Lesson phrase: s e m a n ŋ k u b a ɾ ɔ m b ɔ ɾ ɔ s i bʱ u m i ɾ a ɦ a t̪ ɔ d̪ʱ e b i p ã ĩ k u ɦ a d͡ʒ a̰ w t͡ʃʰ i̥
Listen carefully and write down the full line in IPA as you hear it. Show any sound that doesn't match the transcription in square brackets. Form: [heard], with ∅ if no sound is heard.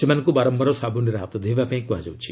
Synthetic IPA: s e m a n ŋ k u b a ɾ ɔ m b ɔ ɾ ɔ s [a] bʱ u [n] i ɾ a ɦ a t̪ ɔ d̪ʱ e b [a] p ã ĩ k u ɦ a d͡ʒ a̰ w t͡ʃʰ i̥